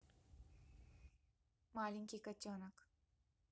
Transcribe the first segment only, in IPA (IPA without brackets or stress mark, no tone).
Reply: m